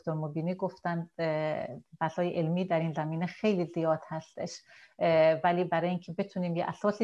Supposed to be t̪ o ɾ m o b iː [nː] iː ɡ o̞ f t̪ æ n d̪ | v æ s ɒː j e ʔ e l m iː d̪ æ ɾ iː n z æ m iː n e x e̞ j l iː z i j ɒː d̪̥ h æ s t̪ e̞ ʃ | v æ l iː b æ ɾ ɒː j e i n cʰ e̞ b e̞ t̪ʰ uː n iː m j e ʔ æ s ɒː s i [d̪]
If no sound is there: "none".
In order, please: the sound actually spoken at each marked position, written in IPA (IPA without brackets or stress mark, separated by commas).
n, none